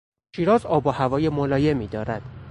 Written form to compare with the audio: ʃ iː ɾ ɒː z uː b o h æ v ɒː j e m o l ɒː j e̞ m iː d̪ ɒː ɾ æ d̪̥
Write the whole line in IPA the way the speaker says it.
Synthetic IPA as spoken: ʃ iː ɾ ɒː z ɒː b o h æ v ɒː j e m o l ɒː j e̞ m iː d̪ ɒː ɾ æ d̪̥